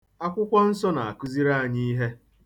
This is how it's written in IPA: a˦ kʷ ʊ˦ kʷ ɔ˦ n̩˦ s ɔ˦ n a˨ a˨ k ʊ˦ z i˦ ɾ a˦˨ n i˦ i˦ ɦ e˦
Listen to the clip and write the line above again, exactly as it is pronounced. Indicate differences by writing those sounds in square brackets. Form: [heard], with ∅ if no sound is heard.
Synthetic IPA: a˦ kʷ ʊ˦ kʷ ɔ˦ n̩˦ s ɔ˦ n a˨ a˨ k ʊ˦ z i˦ ɾ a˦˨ [ɲ] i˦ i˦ ɦ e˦